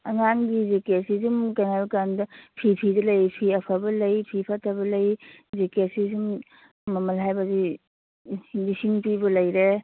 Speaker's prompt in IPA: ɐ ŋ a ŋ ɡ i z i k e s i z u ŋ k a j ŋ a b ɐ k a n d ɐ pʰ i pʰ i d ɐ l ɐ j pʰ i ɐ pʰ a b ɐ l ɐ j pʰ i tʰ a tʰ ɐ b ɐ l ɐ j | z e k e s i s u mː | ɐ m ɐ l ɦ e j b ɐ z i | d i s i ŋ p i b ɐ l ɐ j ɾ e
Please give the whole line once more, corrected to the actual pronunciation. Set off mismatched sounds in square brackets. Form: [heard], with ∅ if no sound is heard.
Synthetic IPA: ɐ ŋ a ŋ ɡ i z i k e s i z u [m] k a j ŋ a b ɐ k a n d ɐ pʰ i pʰ i d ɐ l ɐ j pʰ i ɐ pʰ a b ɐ l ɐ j pʰ i [pʰ] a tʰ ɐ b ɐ l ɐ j | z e k e s i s u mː | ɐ m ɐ l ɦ [a] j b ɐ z i | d i s i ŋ p i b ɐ l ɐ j ɾ e

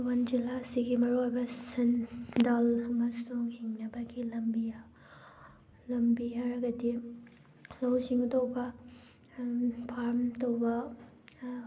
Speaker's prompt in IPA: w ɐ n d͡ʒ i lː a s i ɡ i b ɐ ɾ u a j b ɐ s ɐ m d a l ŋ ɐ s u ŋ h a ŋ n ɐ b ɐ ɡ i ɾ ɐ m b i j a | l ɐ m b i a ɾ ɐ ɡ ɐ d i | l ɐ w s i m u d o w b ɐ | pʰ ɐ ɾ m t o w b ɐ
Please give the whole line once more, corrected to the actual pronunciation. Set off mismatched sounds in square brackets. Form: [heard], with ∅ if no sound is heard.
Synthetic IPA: w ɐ n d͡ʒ i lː a s i ɡ i [m] ɐ ɾ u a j b ɐ s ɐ [n] d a l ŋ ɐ s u ŋ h [i] ŋ n ɐ b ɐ ɡ i [l] ɐ m b i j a | l ɐ m b i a ɾ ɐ ɡ ɐ d i | l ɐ w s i [ŋ] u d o w b ɐ | pʰ [a] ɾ m t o w b ɐ

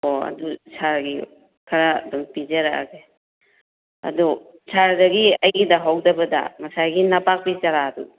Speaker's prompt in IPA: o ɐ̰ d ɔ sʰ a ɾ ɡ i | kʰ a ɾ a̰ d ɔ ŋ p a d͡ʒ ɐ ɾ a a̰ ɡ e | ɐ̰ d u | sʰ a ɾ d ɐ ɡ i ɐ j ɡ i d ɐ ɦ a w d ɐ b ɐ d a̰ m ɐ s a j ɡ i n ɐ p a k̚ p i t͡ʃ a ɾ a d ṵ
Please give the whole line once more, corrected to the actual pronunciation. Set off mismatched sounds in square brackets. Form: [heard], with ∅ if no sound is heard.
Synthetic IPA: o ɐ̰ d [u] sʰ a ɾ ɡ i | kʰ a ɾ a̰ d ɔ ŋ p [i] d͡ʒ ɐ ɾ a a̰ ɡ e | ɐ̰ d u | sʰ a ɾ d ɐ ɡ i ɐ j ɡ i d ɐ ɦ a w d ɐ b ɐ d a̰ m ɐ s a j ɡ i n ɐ p a k̚ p i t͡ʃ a ɾ a d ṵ

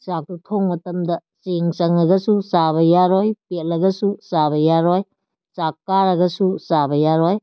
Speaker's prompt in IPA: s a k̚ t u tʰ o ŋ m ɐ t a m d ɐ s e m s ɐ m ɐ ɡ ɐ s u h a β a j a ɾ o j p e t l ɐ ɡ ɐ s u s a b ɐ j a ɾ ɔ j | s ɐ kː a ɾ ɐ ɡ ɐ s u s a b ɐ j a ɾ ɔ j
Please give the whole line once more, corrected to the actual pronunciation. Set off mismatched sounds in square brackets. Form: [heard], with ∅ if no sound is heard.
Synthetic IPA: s a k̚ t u tʰ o ŋ m ɐ t [ɐ] m d ɐ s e [ŋ] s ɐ [ŋ] ɐ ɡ ɐ s u [s] a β [ɐ] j a ɾ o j p e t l ɐ ɡ ɐ s u s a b ɐ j a ɾ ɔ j | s [a] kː a ɾ ɐ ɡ ɐ s u s a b ɐ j a ɾ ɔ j

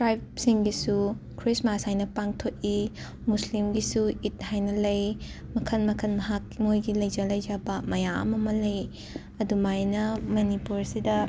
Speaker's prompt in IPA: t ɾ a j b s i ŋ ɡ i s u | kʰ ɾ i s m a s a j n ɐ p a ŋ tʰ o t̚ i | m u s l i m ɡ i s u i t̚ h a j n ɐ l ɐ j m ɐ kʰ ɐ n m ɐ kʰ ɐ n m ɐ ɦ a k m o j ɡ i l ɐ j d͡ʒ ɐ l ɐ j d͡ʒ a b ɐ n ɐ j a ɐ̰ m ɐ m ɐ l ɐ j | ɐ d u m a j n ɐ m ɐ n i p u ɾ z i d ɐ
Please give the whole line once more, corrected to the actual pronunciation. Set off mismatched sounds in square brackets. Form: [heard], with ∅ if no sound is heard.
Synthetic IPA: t ɾ a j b s i ŋ ɡ i s u | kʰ ɾ i s m a s a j n ɐ p a ŋ tʰ o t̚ i | m u s l i m ɡ i s u i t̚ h a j n ɐ l ɐ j m ɐ kʰ ɐ n m ɐ kʰ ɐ n m ɐ ɦ a k m o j ɡ i l ɐ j d͡ʒ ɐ l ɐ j d͡ʒ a b ɐ [m] ɐ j a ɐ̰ m ɐ m ɐ l ɐ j | ɐ d u m a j n ɐ m ɐ n i p u ɾ [s] i d ɐ

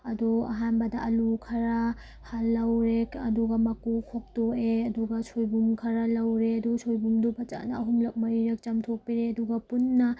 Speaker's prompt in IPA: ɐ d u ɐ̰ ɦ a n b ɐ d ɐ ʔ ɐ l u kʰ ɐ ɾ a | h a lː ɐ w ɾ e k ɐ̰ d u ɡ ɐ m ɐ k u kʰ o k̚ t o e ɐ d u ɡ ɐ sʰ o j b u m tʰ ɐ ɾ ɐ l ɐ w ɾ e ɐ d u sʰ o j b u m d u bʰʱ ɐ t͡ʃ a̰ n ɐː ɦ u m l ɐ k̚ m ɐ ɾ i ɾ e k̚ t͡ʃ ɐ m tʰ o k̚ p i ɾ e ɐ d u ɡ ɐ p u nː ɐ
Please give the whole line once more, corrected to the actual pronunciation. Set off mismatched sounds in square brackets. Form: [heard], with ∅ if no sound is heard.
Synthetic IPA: ɐ d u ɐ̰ ɦ a n b ɐ d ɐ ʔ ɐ l u kʰ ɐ ɾ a | h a lː ɐ w ɾ e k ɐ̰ d u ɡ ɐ m ɐ k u kʰ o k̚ t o e ɐ d u ɡ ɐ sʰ o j b u m [kʰ] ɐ ɾ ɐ l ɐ w ɾ e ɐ d u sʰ o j b u m d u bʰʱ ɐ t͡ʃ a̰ n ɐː ɦ u m l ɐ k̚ m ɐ ɾ i ɾ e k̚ t͡ʃ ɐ m tʰ o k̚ p i ɾ e ɐ d u ɡ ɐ p u nː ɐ

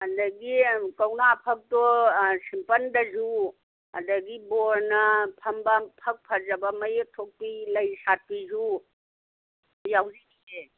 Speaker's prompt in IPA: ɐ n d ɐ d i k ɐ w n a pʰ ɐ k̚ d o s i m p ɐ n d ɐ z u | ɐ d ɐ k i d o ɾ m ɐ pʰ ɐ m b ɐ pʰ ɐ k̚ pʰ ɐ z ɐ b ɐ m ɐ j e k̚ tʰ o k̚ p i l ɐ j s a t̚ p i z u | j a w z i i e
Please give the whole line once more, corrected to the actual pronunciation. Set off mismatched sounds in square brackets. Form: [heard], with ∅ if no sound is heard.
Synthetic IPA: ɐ n d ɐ [ɡ] i k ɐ w n a pʰ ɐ k̚ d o s i m p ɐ n d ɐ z u | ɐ d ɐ [ɡ] i [b] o ɾ [n] ɐ pʰ ɐ m b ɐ pʰ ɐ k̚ pʰ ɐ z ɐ b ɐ m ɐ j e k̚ tʰ o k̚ p i l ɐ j s a t̚ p i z u | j a w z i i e

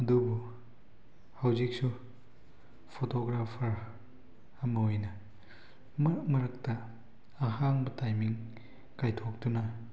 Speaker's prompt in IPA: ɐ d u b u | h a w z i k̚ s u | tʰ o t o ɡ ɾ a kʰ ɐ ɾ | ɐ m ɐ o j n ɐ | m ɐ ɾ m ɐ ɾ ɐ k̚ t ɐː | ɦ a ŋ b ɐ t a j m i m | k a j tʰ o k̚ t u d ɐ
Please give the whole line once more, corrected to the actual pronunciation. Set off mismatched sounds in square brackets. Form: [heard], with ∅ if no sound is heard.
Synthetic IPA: ɐ d u b u | h a w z i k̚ s u | [pʰ] o t o ɡ ɾ a [pʰ] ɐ ɾ | ɐ m ɐ o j n ɐ | m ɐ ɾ m ɐ ɾ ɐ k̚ t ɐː | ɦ a ŋ b ɐ t a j m i [ŋ] | k a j tʰ o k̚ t u [n] ɐ

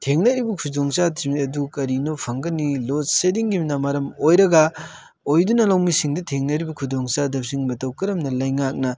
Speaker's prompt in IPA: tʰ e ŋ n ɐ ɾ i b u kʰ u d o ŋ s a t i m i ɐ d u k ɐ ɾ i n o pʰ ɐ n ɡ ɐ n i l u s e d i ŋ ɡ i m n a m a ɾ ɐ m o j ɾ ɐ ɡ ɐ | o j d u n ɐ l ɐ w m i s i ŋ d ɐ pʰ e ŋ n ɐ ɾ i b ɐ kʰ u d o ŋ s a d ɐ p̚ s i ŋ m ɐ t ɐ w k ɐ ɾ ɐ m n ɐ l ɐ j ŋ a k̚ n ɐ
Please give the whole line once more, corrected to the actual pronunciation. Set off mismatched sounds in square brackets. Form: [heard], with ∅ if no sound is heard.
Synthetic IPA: tʰ e ŋ n ɐ ɾ i b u kʰ u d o ŋ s a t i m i ɐ d u k ɐ ɾ i n o pʰ ɐ [ŋ] ɡ ɐ n i l [o] s e d i ŋ ɡ i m n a m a ɾ ɐ m o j ɾ ɐ ɡ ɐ | o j d u n ɐ l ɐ w m i s i ŋ d ɐ [tʰ] e ŋ n ɐ ɾ i b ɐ kʰ u d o ŋ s a d ɐ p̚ s i ŋ m ɐ t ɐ w k ɐ ɾ ɐ m n ɐ l ɐ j ŋ a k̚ n ɐ

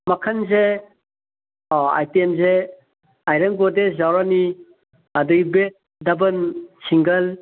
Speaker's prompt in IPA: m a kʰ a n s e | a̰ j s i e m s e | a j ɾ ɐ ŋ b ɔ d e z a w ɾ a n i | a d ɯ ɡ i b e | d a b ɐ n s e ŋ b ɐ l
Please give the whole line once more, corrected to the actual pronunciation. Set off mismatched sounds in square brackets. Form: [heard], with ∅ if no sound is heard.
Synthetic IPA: m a kʰ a n [z] e | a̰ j [t] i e m [z] e | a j ɾ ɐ ŋ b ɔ d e z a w ɾ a n i | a d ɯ ɡ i b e | d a b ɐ n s [i] ŋ [ɡ] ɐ l

